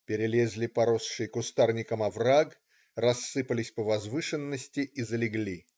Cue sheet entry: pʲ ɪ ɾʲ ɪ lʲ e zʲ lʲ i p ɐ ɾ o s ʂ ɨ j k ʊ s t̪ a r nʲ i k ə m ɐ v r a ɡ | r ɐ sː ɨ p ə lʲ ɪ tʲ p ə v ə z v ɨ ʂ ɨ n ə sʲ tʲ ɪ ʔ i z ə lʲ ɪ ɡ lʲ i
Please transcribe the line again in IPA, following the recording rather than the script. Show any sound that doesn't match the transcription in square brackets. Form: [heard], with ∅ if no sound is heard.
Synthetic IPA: pʲ ɪ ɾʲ ɪ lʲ e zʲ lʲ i p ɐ ɾ o s ʂ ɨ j k ʊ s t̪ a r nʲ [ɪ] k ə m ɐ v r a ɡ | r ɐ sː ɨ p ə lʲ ɪ [sʲ] p ə v [ɐ] z v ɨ ʂ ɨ [nː] ə sʲ tʲ ɪ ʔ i z ə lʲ ɪ ɡ lʲ i